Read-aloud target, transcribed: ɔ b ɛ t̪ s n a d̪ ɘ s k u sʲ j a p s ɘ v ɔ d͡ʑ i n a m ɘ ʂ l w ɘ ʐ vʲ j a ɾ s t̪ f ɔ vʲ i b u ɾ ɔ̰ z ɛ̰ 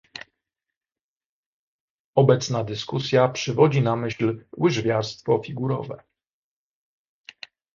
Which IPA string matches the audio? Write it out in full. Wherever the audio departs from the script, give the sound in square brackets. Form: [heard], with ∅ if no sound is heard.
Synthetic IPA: ɔ b ɛ t̪ s n a d̪ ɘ s k u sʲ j a p [ʂ] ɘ v ɔ d͡ʑ i n a m ɘ [ɕ] l w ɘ ʐ vʲ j a ɾ s t̪ f ɔ [fʲ] i [ɡ] u ɾ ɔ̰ [v] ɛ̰